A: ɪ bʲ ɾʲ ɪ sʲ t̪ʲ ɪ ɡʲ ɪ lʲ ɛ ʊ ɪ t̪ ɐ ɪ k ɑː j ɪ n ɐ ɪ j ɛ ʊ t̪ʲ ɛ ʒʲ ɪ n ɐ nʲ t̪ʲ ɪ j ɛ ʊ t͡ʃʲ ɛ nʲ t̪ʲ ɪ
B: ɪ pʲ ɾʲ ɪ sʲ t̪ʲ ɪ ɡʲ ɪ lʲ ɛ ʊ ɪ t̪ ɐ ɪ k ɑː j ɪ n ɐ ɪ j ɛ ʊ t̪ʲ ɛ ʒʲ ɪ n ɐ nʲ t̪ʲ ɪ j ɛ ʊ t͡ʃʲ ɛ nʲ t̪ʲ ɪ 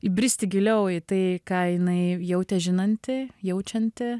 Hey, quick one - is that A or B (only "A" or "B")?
A